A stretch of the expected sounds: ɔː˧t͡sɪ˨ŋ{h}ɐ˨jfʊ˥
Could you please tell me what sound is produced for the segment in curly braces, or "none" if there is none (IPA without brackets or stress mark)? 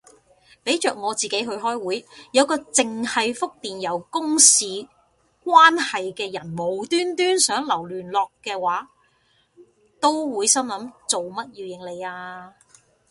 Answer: h